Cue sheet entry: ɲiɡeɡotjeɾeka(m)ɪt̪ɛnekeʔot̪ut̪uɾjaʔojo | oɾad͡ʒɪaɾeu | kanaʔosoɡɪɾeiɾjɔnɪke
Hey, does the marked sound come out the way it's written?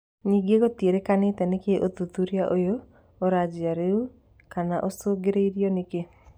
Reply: no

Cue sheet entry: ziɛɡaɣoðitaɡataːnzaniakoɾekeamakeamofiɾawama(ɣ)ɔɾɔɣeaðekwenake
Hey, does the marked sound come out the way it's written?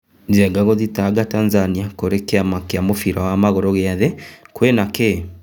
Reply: yes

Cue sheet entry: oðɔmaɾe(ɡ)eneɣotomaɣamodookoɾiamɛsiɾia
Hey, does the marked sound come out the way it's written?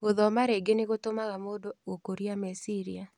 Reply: yes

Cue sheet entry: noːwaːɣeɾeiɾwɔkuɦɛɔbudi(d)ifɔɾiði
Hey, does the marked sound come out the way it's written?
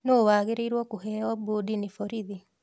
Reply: no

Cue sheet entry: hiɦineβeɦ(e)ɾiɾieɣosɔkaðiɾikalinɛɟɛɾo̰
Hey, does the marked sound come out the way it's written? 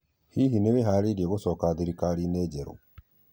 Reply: no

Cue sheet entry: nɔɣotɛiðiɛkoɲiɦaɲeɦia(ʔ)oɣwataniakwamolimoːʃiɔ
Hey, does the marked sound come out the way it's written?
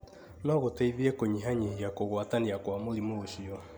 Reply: no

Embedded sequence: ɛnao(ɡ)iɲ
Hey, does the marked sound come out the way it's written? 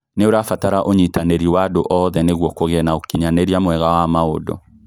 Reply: no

